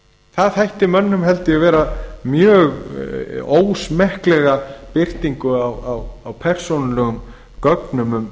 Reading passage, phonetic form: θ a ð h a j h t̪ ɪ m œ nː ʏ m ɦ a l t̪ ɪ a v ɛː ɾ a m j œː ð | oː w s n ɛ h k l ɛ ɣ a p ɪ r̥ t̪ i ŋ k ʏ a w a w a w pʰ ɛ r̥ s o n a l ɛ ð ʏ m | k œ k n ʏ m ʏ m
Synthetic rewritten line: θ a ð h a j h t̪ ɪ m œ nː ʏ m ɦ ɛ l t̪ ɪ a v ɛː ɾ a m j œː ɣ | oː w s m ɛ h k l ɛ ɣ a p ɪ r̥ t̪ i ŋ k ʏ a w a w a w pʰ ɛ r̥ s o n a l ɛ ɣ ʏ m | k œ k n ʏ m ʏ m